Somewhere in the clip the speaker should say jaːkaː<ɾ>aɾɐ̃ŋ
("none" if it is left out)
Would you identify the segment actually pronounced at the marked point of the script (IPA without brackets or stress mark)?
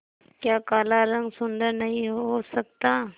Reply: l